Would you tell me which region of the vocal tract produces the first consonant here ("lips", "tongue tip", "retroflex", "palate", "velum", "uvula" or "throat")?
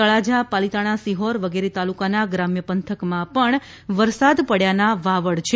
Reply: retroflex